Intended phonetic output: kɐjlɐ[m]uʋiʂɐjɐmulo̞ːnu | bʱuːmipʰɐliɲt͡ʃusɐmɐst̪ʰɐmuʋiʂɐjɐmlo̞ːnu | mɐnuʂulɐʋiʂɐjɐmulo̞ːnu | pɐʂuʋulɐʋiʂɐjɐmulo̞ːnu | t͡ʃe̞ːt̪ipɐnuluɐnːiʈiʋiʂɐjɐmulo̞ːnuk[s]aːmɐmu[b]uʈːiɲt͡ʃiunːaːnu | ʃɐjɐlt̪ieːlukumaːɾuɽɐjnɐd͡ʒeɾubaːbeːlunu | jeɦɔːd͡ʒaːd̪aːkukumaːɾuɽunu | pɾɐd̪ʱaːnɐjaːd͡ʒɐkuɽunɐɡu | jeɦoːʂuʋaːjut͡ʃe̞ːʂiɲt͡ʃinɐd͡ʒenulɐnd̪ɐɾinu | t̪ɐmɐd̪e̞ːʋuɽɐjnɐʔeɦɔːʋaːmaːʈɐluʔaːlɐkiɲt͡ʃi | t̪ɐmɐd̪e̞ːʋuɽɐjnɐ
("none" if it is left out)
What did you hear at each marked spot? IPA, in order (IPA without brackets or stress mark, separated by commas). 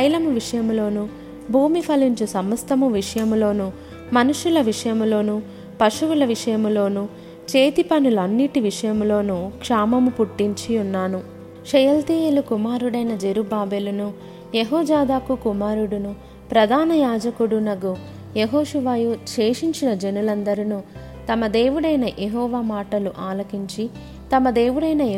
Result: m, ʂ, p